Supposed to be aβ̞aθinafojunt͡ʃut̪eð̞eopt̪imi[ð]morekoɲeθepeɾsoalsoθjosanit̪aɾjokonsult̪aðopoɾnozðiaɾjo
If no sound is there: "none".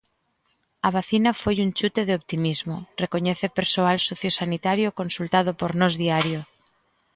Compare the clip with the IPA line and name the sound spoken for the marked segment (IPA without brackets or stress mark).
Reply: z